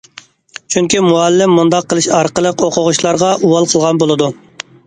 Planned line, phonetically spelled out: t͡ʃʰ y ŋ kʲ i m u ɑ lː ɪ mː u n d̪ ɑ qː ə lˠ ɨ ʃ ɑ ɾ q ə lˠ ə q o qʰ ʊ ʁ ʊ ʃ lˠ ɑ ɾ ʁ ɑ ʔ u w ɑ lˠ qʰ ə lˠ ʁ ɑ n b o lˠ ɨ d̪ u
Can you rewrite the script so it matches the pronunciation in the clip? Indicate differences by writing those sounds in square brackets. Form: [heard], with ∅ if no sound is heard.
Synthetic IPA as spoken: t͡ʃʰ y ŋ kʲ i m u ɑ lː ɪ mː u n d̪ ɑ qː ə lˠ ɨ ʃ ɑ ɾ q ə lˠ ə q o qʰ ʊ ʁ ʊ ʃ lˠ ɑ ɾ ʁ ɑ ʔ u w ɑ lˠ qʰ ə lˠ ʁ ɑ n b o lˠ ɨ d̪ u